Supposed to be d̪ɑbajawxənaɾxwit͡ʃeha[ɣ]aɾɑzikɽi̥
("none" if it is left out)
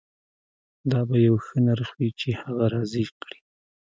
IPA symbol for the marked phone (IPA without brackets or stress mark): ɣ